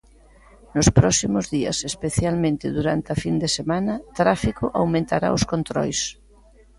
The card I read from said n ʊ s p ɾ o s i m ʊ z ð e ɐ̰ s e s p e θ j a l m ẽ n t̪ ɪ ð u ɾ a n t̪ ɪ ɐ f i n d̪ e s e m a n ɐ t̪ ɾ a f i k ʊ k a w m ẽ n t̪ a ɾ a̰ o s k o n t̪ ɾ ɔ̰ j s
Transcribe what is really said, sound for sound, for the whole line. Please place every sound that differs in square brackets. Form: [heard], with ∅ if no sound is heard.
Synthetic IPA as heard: n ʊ s p ɾ [ɔ] s i m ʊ z ð [i] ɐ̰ s e s p e θ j a l m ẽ n t̪ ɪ ð u ɾ a n t̪ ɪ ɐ f i n d̪ e s e m a n ɐ t̪ ɾ a f i k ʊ [ʔ] a w m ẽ n t̪ a ɾ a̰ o s k o n t̪ ɾ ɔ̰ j s